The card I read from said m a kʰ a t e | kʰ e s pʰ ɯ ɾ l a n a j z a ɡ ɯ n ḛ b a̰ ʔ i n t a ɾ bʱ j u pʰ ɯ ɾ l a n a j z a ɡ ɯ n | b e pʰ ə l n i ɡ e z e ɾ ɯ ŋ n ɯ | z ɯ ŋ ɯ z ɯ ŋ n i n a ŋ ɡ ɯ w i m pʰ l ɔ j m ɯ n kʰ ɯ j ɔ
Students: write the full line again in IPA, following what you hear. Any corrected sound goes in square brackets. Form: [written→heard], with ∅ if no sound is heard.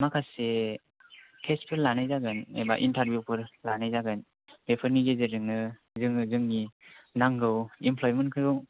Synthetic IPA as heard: m a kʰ a [t→s] e | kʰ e s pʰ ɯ ɾ l a n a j z a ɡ ɯ n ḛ b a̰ ʔ i n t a ɾ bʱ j u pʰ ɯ ɾ l a n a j z a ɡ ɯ n | b e pʰ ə [l→ɾ] n i ɡ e z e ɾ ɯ ŋ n ɯ | z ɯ ŋ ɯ z ɯ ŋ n i n a ŋ ɡ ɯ w i m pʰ l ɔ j m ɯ n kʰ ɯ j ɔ